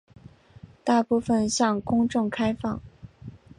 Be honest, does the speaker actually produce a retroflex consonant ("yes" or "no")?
yes